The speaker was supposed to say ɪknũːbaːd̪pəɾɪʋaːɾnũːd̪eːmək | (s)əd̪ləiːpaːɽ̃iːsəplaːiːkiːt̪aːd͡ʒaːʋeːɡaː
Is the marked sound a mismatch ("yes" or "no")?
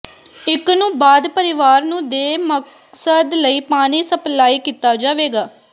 no